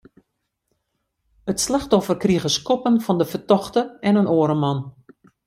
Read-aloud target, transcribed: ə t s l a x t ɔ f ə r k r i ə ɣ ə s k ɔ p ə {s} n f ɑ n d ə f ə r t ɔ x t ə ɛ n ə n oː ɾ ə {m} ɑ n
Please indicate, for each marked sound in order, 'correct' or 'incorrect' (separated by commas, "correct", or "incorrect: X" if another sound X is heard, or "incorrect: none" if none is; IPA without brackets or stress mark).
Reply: incorrect: none, correct